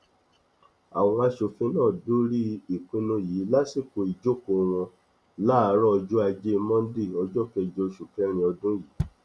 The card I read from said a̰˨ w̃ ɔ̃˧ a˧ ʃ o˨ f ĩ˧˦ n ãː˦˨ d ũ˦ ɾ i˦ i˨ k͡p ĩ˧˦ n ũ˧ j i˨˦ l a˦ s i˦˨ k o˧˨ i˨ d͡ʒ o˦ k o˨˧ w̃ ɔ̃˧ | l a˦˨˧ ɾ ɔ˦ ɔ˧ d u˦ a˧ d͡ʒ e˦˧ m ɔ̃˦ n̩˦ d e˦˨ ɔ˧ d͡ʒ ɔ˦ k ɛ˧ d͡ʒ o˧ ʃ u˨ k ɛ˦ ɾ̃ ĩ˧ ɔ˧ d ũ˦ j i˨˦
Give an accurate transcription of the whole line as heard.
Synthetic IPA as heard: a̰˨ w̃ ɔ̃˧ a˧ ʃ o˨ f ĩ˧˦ n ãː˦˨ d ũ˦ ɾ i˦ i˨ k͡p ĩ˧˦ n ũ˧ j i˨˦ l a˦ s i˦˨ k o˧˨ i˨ d͡ʒ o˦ k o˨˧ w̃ ɔ̃˧ | l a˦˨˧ ɾ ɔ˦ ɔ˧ d͡ʒ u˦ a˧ d͡ʒ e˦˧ m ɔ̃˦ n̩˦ d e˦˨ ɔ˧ d͡ʒ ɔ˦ k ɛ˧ d͡ʒ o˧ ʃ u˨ k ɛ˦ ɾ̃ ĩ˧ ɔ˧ d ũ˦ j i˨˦